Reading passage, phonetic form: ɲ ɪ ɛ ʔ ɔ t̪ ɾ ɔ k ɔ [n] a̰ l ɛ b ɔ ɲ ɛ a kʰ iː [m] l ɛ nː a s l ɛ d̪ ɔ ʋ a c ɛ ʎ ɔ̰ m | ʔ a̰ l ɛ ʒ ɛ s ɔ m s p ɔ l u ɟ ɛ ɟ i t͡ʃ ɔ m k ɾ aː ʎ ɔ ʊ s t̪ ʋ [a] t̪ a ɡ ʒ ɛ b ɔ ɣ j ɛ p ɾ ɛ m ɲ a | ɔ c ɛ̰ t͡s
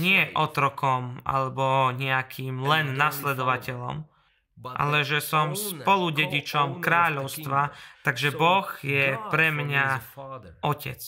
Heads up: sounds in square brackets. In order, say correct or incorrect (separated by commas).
incorrect, correct, correct